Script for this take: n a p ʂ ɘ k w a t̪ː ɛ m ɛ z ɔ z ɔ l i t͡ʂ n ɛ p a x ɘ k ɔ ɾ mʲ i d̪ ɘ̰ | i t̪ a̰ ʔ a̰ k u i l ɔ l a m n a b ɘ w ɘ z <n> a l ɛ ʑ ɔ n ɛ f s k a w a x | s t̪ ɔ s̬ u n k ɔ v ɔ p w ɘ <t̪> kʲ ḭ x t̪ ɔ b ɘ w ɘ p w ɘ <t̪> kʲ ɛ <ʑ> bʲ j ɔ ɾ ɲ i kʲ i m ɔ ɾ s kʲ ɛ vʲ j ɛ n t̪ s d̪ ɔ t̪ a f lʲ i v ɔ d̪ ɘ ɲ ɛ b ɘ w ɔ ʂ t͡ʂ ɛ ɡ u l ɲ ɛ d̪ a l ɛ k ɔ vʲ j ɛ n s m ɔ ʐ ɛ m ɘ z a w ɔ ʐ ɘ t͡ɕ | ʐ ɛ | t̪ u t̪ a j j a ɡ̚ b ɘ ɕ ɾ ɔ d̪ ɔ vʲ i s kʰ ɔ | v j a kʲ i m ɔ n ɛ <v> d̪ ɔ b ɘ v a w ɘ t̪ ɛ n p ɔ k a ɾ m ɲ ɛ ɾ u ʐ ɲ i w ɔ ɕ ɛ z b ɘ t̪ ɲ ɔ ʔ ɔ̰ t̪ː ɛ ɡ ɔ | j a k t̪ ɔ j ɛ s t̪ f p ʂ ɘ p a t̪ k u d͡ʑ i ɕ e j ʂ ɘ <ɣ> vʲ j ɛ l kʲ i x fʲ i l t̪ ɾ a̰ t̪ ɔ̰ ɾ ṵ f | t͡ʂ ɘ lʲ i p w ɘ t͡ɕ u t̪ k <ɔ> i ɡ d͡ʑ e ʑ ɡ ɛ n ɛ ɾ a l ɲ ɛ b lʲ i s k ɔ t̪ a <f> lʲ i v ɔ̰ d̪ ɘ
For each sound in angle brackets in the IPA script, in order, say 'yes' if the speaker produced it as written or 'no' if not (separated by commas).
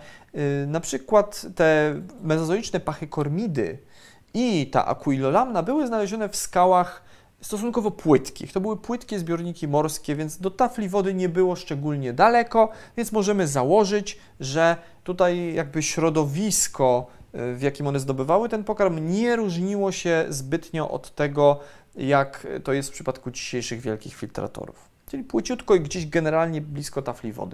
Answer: yes, yes, yes, no, no, yes, yes, yes